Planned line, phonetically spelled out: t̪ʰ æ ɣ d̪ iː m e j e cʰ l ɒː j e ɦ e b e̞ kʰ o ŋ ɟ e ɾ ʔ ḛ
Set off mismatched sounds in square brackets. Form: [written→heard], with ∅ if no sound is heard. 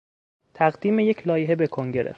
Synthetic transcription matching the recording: t̪ʰ æ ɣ d̪ iː m e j e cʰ l ɒː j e ɦ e b e̞ kʰ o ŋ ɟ e ɾ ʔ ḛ